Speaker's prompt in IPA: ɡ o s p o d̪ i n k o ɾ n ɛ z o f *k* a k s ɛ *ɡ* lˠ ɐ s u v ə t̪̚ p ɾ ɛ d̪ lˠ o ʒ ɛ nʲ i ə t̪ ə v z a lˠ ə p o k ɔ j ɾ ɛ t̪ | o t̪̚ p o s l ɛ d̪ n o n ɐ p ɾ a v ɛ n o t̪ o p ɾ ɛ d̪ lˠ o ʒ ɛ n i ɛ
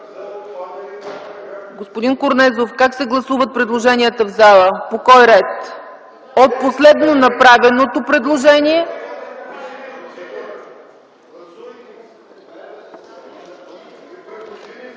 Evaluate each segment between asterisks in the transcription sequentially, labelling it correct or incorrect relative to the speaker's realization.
correct, correct

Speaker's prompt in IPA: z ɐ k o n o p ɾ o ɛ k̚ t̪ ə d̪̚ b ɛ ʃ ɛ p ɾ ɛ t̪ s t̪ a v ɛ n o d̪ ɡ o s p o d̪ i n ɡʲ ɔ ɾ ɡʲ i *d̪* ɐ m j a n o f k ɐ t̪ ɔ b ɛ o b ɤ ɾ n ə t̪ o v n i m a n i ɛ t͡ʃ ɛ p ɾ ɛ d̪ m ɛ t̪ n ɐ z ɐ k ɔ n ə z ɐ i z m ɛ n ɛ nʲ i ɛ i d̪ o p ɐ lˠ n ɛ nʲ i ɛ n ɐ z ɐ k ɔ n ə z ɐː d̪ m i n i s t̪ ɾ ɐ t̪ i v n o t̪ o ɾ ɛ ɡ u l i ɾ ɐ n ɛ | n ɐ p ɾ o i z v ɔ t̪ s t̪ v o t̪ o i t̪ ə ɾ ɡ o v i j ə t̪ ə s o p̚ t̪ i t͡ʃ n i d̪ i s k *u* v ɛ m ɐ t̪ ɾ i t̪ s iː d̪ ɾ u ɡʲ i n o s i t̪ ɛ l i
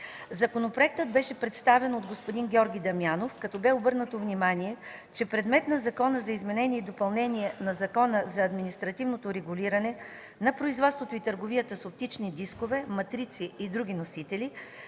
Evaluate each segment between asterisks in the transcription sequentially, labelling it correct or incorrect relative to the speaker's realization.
correct, incorrect: o

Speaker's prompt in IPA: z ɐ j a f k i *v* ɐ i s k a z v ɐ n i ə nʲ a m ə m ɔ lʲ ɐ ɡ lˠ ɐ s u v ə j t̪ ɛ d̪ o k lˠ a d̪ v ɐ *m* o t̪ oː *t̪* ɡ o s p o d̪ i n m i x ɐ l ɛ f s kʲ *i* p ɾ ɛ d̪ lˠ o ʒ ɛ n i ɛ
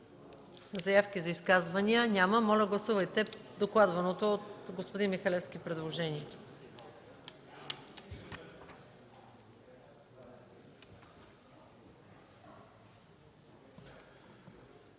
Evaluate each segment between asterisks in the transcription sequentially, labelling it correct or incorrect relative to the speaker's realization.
incorrect: z, incorrect: n, correct, correct

